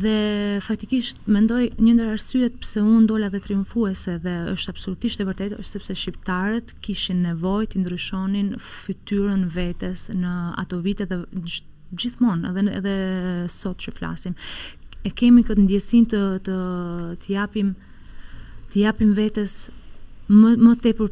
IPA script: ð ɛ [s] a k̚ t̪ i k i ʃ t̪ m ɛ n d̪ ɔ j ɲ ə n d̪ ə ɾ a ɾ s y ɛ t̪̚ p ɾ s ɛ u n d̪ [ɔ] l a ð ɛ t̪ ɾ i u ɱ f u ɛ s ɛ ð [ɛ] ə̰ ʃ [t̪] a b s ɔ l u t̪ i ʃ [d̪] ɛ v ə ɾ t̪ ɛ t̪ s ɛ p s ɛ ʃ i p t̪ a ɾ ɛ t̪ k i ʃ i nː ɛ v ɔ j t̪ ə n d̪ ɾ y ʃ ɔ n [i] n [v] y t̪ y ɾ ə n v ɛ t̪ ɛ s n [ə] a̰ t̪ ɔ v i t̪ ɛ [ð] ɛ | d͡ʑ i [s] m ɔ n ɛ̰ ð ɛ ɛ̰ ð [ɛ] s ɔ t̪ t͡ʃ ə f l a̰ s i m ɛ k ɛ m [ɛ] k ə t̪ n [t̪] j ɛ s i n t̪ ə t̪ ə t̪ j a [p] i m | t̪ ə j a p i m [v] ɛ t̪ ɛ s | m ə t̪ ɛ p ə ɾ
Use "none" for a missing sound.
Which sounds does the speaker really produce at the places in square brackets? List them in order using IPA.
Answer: f, ɔ, ɛ, t̪, t̪, i, f, ə, ð, θ, ɛ, i, d̪, p, v

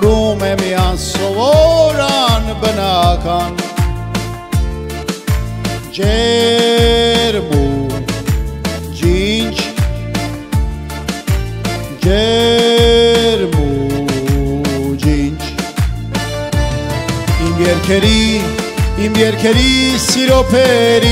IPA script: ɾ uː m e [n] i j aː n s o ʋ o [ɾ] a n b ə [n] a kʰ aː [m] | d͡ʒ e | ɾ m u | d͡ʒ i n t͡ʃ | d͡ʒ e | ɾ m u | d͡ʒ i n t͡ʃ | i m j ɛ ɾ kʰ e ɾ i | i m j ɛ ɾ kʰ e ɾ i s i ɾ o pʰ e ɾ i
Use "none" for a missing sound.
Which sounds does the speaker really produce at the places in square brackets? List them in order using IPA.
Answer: m, ɾ, n, n

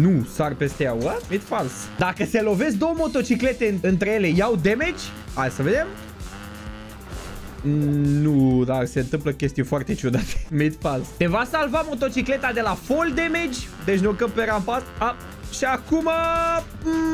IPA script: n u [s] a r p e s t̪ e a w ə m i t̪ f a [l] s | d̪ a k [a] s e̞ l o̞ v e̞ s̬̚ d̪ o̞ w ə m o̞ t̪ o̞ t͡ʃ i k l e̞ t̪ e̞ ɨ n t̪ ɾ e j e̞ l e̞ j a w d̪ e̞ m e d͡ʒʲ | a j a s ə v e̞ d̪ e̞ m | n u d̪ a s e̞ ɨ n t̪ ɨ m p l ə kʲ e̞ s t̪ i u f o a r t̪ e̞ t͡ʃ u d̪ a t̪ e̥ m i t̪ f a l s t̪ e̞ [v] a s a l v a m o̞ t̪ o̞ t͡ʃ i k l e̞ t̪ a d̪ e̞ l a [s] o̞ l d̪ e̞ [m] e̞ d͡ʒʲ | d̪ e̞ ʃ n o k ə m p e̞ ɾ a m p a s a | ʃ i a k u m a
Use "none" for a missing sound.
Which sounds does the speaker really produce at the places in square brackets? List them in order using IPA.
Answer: s, l, ə, v, f, m

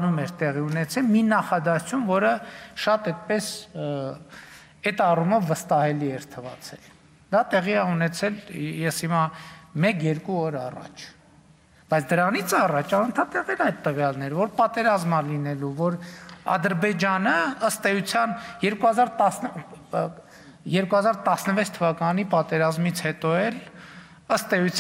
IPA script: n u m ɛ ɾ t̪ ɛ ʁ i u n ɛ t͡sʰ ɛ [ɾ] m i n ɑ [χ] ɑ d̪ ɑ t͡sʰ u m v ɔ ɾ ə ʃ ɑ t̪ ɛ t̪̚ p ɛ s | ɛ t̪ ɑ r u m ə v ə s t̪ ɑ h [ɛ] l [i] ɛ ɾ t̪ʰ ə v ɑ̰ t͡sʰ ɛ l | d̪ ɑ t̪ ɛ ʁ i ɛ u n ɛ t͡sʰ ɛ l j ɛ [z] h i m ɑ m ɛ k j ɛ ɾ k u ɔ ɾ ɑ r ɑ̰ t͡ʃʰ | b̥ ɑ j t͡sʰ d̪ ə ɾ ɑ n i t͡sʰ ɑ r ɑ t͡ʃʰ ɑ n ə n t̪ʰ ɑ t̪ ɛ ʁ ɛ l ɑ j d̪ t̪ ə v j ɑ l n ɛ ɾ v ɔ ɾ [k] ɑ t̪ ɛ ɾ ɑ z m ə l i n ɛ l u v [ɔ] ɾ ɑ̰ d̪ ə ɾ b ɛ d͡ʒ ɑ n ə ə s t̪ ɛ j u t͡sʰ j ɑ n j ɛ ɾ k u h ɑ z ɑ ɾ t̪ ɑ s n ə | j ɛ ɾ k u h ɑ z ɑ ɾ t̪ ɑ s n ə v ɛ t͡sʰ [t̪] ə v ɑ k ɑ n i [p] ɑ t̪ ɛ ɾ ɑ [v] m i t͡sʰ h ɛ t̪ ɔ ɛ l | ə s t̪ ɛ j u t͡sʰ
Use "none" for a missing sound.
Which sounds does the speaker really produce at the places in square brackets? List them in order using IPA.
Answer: l, χ, ɛ, i, s, p, ɔ, t̪ʰ, p, z

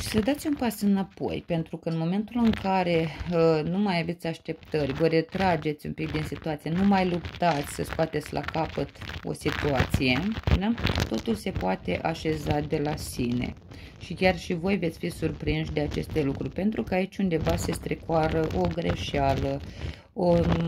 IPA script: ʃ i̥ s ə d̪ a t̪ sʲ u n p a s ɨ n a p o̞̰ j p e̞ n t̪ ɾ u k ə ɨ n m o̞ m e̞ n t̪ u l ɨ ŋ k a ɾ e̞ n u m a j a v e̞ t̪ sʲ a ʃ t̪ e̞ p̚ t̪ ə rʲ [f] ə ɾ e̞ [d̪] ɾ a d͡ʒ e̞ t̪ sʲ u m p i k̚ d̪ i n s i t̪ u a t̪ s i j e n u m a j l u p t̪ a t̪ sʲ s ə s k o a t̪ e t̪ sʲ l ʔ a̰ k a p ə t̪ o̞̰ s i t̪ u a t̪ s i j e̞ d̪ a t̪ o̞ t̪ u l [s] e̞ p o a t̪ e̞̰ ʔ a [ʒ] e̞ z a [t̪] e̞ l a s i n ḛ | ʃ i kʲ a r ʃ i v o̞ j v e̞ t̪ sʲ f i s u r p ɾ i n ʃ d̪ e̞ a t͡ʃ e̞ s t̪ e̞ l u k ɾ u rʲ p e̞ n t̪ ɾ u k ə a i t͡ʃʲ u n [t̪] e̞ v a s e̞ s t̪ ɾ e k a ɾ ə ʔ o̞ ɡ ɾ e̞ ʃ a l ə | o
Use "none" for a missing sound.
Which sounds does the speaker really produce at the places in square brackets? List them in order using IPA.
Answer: v, t̪, s, ʃ, d̪, d̪

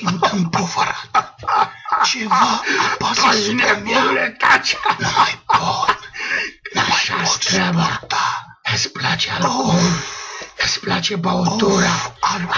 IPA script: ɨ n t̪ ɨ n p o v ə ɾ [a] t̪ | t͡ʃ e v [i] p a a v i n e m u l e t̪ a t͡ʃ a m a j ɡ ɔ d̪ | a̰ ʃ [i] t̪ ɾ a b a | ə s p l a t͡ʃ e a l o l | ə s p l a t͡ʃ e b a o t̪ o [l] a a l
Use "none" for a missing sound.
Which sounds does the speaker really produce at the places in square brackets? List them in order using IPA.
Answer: a, a, a, ɾ

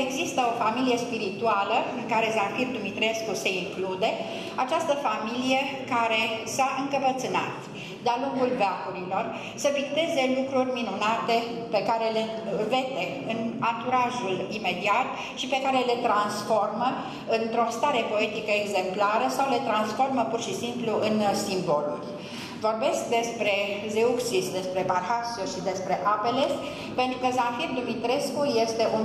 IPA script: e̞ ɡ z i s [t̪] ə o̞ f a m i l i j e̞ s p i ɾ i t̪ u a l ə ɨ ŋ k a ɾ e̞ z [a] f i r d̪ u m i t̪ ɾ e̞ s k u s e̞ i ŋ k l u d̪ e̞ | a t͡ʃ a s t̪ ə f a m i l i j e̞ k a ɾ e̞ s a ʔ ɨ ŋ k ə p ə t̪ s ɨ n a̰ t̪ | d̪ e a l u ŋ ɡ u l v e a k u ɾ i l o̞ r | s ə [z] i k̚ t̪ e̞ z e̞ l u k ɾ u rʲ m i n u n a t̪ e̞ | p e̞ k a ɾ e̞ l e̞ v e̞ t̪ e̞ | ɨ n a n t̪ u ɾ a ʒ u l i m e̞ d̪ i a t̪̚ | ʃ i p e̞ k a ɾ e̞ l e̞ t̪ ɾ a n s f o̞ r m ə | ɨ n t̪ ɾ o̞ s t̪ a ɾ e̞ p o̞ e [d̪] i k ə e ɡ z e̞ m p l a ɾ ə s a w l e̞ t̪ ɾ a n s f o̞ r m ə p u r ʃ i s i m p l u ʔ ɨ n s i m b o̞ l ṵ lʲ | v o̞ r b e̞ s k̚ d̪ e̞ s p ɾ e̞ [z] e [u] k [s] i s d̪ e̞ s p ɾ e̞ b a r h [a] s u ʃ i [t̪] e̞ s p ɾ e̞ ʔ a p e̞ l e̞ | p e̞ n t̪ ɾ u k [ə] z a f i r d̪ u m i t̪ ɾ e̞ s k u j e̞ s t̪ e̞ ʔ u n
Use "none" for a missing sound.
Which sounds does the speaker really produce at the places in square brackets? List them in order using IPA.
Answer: t̪, a, v, t̪, z, u, s, a, d̪, ə

